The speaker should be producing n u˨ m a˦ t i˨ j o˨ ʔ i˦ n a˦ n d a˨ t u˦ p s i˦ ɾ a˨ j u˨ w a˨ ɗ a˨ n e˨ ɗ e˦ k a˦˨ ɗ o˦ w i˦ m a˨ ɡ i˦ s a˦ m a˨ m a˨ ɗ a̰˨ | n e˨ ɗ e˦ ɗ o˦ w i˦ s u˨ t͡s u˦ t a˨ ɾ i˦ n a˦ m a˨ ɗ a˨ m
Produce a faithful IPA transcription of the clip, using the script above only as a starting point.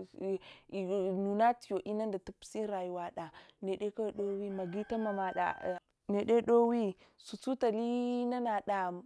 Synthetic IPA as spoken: n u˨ n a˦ t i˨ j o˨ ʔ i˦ n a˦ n d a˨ t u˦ p s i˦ ɾ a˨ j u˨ w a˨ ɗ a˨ n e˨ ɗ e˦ k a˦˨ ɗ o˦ w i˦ m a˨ ɡ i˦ t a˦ m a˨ m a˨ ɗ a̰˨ | n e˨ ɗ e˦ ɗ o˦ w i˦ s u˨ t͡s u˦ t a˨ l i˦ n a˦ n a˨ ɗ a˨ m